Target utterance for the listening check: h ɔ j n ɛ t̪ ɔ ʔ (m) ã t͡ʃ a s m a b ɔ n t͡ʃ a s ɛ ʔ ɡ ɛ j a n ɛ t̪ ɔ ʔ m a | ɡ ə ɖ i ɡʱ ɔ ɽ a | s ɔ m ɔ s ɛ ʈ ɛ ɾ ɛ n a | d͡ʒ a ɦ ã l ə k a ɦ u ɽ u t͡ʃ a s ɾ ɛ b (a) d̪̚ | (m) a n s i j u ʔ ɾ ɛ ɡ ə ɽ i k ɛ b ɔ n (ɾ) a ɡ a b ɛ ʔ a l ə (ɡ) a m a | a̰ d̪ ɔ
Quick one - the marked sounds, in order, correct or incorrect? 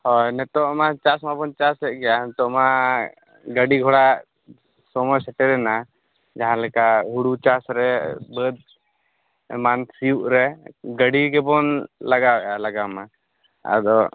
correct, incorrect, correct, incorrect, correct

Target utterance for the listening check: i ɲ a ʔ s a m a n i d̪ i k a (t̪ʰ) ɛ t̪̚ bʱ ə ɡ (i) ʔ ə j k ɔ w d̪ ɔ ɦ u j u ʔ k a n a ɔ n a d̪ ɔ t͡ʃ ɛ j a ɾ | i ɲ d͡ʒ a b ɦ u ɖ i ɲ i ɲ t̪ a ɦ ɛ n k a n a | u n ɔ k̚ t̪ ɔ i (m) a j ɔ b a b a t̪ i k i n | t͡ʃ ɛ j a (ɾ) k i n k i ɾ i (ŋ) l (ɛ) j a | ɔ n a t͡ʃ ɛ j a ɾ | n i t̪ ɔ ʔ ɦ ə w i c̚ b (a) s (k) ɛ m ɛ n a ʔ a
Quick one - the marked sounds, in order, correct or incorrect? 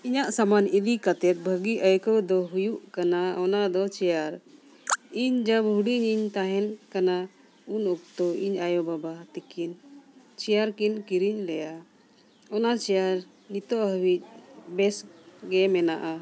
incorrect, correct, incorrect, correct, incorrect, correct, incorrect, incorrect

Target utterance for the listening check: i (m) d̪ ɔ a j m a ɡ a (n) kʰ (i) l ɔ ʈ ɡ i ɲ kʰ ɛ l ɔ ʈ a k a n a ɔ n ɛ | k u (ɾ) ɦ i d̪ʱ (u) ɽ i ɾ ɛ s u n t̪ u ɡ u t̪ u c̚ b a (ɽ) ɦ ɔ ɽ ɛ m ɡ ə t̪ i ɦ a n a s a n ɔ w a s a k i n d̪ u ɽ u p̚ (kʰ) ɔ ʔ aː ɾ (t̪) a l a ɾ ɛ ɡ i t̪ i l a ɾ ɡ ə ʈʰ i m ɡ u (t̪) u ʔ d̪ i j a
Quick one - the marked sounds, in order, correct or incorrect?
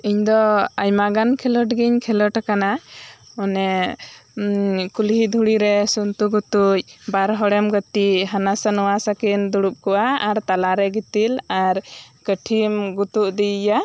incorrect, correct, incorrect, incorrect, correct, incorrect, incorrect, correct, correct

